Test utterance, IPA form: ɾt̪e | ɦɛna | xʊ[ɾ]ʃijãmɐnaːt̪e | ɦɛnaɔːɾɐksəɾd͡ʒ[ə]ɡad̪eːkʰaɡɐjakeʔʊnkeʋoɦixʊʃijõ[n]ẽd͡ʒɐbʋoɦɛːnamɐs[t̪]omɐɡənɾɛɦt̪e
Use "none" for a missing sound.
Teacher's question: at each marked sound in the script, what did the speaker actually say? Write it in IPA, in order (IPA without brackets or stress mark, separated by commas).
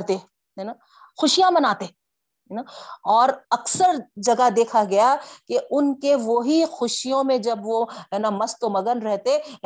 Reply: none, ɐ, m, t̪